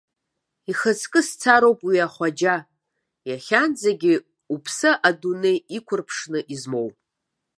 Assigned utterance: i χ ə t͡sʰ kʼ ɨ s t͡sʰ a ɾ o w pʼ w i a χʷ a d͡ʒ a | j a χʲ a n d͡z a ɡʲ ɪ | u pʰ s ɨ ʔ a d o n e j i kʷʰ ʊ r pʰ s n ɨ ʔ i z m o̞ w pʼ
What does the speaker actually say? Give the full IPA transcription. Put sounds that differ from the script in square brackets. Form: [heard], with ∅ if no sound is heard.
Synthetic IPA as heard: i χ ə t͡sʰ kʼ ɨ s t͡sʰ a ɾ o w pʼ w i a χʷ a d͡ʒ a | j a χʲ a n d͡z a ɡʲ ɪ | u pʰ s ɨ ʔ a d [u] n e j i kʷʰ ʊ r pʰ [ʂ] n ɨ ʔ i z m o̞ w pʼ

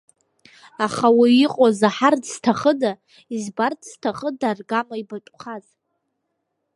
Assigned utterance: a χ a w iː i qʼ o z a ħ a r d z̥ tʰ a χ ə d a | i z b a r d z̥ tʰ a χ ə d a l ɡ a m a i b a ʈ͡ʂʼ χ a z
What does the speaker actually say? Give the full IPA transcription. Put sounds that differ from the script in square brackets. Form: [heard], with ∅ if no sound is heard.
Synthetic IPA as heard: a χ a w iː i qʼ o z a ħ a r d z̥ tʰ a χ ə d a | i z b a r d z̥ tʰ a χ ə d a [r] ɡ a m a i b a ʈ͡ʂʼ χ a z

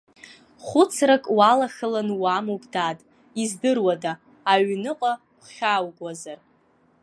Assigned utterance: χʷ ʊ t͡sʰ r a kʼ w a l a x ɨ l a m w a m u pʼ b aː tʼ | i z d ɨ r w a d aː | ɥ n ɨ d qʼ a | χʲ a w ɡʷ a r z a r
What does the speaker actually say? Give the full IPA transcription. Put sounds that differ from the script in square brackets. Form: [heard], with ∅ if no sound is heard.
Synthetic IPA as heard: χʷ ʊ t͡sʰ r a kʼ w a l a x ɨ l a [n] w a m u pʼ [d] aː tʼ | i z d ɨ r w a d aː | ɥ n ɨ [∅] qʼ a | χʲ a w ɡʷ a [∅] z a r

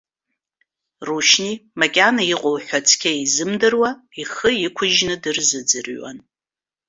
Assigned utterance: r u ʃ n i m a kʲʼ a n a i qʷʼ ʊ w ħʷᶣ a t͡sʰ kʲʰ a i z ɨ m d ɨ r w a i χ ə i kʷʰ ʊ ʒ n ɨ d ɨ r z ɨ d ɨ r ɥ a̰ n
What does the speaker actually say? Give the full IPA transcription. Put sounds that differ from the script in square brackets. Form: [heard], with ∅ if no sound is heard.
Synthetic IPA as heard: r u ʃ n i m a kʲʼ a n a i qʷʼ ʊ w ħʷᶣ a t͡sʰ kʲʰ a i z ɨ m d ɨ r w a i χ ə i kʷʰ ʊ ʒ n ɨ d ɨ r z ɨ [d͡z] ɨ r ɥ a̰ n

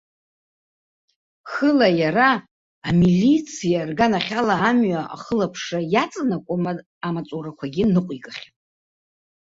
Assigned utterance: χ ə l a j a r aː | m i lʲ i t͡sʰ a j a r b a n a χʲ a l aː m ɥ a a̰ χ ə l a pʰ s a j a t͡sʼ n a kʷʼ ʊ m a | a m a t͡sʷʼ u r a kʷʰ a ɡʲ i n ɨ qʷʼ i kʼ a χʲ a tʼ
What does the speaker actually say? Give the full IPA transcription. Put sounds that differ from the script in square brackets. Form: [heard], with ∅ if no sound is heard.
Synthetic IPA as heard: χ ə l a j a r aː | m i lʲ i t͡sʰ [i] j a r [ɡ] a n a χʲ a l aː m ɥ a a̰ χ ə l a pʰ [ʂ] a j a t͡sʼ n a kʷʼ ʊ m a | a m a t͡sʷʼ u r a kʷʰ a ɡʲ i n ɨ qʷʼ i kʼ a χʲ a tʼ

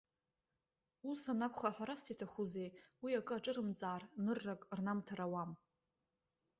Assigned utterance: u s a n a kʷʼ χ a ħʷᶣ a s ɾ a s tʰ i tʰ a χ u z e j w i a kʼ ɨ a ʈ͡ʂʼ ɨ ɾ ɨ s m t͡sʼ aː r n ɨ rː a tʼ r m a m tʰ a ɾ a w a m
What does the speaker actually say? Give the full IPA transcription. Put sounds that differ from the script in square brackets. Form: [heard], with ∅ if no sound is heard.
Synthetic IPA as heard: u s a n a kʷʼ χ a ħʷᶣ a [∅] ɾ a s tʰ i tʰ a χ u z e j w i a kʼ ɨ a ʈ͡ʂʼ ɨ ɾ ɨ [∅] m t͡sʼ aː r n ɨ rː a [kʼ] r [n] a m tʰ a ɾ a w a m

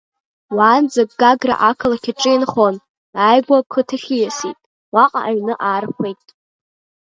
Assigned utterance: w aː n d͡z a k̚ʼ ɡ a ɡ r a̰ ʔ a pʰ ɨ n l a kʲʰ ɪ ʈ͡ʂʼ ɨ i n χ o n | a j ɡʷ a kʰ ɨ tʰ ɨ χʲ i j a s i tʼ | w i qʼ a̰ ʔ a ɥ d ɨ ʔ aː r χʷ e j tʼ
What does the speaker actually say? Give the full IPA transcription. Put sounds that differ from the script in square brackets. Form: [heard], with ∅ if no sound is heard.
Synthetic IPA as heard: w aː n d͡z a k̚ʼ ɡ a ɡ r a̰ ʔ a [kʰ] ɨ [∅] l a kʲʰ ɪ ʈ͡ʂʼ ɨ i n χ o n | a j ɡʷ a kʰ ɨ tʰ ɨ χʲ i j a s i tʼ | w [a] qʼ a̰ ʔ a ɥ [n] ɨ ʔ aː r χʷ e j tʼ

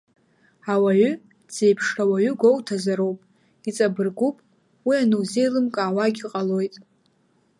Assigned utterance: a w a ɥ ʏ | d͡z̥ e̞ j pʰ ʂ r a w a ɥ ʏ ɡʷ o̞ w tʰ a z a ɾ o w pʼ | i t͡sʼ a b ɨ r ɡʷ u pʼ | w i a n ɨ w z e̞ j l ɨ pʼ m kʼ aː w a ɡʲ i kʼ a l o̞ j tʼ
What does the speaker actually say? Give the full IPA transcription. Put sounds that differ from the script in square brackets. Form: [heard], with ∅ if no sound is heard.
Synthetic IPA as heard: a w a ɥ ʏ | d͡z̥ e̞ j pʰ ʂ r a w a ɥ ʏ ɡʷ o̞ w tʰ a z a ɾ o w pʼ | i t͡sʼ a b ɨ r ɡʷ u pʼ | w i a n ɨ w z e̞ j l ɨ [∅] m kʼ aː w a ɡʲ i [qʼ] a l o̞ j tʼ

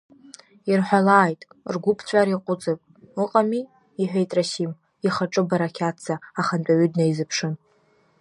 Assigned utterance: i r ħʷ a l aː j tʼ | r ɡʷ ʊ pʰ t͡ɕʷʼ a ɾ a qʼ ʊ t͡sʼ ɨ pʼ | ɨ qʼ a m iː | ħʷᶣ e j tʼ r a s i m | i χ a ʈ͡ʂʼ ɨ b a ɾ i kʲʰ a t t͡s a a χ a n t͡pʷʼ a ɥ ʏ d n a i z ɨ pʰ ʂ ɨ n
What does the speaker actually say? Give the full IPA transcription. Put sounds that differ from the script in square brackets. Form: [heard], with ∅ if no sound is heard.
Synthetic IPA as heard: i r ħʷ a l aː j tʼ | r ɡʷ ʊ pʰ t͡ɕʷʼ a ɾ [i] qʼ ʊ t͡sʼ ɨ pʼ | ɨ qʼ a m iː | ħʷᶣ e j tʼ r a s i m | i χ a ʈ͡ʂʼ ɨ b a ɾ [a] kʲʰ a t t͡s a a χ a n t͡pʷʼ a ɥ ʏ d n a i z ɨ pʰ ʂ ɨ n

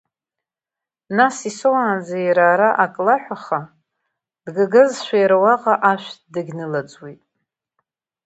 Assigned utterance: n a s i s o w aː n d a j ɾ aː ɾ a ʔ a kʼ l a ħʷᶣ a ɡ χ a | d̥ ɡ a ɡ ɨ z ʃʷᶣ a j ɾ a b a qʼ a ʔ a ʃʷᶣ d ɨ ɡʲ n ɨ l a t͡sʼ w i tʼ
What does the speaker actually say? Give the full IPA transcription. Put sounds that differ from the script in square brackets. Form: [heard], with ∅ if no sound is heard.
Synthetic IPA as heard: n a s i s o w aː n [d͡z] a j ɾ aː ɾ a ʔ a kʼ l a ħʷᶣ a [∅] χ a | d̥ ɡ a ɡ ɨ z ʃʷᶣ a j ɾ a [w] a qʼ a ʔ a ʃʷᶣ d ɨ ɡʲ n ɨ l a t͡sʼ w i tʼ

